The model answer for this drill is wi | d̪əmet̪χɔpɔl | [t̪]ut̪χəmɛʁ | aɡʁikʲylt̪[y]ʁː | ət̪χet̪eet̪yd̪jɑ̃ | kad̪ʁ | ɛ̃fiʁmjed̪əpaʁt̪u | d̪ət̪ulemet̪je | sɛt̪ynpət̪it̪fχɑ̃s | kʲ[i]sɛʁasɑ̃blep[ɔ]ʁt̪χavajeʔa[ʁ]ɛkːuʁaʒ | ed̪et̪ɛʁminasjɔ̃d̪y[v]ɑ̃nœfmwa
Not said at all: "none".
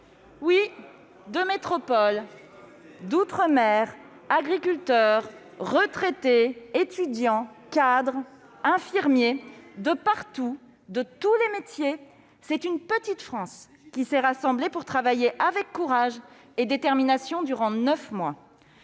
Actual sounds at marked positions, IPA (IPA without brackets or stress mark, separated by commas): d̪, œ, i, u, v, ʁ